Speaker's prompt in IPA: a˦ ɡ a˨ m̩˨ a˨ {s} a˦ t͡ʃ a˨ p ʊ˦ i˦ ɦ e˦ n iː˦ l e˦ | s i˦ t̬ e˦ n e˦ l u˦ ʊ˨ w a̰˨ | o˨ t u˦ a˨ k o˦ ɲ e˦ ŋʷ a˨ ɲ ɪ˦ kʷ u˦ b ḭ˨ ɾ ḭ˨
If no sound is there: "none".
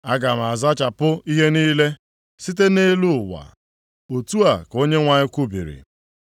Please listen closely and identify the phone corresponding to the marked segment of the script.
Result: z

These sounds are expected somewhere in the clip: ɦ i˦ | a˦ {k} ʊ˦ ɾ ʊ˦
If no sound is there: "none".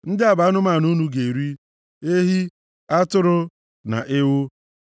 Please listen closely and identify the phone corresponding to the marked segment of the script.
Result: t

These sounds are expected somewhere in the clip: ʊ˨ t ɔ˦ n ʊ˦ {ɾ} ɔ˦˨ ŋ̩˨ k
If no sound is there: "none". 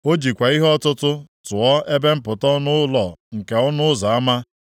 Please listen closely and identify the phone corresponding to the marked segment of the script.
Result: l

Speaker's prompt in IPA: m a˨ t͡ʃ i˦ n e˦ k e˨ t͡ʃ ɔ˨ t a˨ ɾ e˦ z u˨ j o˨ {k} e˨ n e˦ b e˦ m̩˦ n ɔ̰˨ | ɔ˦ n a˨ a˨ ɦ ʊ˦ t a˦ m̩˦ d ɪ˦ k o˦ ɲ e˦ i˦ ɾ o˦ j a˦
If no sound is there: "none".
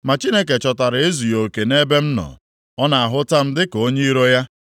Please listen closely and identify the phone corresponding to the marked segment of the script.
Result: k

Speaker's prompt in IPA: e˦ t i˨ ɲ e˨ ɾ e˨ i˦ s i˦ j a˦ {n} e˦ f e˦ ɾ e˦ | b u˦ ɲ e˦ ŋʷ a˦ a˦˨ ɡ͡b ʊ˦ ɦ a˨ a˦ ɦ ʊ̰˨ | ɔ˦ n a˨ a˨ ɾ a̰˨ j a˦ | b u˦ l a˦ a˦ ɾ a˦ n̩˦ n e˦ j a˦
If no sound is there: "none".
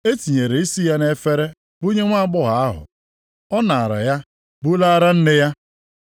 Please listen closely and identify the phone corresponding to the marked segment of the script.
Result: n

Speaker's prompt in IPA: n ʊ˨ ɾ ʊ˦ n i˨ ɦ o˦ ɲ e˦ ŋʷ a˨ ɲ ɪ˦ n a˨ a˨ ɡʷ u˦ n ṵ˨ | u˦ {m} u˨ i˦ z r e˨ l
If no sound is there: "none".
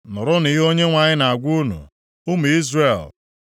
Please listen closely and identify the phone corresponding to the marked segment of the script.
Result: m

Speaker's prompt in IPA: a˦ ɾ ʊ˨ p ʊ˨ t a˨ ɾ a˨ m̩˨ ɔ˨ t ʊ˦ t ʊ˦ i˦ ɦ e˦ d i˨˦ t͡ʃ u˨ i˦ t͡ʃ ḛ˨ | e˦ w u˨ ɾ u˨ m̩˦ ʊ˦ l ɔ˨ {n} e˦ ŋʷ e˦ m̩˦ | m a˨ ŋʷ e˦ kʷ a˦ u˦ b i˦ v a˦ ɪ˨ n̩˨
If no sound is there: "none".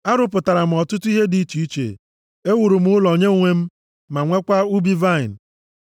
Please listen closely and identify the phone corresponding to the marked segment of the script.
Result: ɲ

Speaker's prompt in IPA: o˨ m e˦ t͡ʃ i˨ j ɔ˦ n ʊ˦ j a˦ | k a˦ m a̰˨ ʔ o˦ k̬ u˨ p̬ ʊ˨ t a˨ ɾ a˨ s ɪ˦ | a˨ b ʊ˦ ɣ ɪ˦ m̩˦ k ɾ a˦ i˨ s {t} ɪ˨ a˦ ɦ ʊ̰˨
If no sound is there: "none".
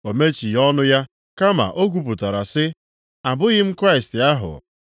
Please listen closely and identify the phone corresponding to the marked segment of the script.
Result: t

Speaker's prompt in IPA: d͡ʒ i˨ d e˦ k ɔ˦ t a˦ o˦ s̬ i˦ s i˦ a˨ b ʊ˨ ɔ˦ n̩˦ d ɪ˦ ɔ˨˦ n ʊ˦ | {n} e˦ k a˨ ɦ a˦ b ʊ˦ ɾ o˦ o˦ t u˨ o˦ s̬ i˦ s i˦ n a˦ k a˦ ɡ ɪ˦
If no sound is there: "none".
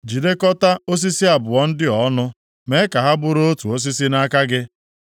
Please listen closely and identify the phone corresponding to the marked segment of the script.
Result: m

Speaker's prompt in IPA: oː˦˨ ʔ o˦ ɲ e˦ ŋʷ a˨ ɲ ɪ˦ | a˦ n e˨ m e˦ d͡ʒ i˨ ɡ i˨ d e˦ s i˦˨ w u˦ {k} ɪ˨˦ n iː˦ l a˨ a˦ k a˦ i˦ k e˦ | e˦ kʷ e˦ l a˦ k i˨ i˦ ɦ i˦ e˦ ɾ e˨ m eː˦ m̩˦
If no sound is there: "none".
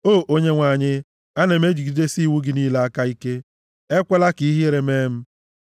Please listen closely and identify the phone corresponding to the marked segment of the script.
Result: ɡ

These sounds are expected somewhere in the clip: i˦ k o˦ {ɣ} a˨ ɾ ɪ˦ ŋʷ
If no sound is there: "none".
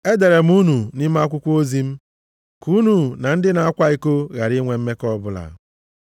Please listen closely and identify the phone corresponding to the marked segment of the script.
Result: ɣ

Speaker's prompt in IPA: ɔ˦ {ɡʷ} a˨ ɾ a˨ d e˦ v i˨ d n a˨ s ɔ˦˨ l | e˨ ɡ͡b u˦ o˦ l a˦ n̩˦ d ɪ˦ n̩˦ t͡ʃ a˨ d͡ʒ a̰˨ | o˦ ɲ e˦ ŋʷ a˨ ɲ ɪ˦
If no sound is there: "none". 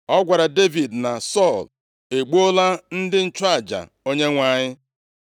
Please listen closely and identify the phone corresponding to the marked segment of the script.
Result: ɡʷ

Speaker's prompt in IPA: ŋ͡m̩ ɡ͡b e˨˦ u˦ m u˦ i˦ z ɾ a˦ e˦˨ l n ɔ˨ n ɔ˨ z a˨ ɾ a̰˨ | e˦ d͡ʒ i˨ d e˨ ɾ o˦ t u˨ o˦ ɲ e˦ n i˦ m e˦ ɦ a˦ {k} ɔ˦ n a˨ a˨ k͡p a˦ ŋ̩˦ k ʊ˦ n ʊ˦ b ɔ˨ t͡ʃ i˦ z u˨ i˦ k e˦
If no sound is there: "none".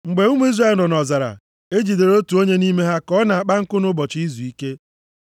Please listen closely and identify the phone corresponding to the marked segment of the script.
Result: k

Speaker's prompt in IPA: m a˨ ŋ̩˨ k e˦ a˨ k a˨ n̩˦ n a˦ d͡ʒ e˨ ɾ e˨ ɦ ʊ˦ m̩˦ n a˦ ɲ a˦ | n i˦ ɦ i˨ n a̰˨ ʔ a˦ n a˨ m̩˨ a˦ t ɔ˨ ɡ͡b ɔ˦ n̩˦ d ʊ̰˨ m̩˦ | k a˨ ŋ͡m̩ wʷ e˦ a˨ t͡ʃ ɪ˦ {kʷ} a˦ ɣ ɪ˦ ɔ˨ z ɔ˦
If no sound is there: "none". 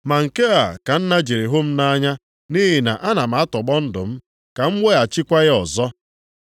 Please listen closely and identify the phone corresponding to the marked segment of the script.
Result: kʷ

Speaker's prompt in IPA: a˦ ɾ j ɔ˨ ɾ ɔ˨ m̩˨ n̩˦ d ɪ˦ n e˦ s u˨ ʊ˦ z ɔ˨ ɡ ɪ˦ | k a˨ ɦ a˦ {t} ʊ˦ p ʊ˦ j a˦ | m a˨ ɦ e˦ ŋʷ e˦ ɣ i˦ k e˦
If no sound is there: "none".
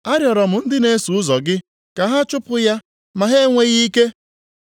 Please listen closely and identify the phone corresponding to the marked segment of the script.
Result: t͡ʃ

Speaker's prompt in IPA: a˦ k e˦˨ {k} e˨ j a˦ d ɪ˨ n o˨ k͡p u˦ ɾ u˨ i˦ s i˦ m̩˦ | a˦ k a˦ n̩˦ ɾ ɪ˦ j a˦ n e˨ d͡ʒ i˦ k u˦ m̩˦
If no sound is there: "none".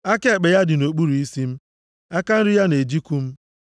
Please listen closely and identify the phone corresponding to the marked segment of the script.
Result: k͡p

